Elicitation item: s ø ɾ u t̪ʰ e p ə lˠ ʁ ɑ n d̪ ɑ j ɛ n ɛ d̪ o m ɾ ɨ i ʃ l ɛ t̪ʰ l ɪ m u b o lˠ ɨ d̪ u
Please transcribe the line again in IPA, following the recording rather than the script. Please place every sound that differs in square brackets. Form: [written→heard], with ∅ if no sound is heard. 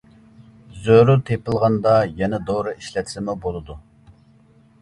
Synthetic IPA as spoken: [s→z] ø ɾ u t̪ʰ e p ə lˠ ʁ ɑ n d̪ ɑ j ɛ n ɛ d̪ o [m→∅] ɾ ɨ i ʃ l ɛ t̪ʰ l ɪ m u b o lˠ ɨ d̪ u